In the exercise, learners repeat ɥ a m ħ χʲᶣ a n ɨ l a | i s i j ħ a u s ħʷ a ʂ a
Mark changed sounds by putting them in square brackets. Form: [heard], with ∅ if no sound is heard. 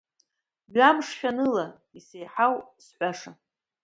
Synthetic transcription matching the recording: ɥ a m [ʂ] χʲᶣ a n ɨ l a | i s [e] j ħ a [w] s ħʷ a ʂ a